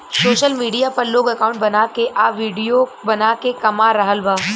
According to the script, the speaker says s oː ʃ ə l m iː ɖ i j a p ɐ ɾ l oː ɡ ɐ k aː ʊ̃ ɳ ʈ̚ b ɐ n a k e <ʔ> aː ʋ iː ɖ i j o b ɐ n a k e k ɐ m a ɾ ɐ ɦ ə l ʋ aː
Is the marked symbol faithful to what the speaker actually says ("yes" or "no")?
yes